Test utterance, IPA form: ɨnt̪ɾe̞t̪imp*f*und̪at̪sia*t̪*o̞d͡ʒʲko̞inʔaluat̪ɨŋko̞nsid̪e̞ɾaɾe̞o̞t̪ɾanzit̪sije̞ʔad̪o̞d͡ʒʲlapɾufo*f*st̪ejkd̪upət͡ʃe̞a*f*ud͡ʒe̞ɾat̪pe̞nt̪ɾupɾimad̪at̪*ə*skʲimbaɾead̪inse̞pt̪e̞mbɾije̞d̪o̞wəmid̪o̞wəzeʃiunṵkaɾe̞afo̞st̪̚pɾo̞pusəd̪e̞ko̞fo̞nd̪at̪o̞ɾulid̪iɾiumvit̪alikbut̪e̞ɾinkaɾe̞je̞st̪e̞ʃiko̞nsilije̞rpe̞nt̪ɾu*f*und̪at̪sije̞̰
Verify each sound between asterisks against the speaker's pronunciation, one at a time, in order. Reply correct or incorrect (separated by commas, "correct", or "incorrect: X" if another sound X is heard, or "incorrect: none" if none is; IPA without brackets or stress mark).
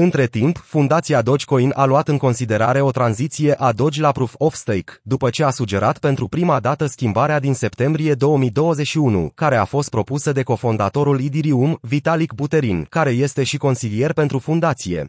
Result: correct, incorrect: d̪, correct, incorrect: s, correct, correct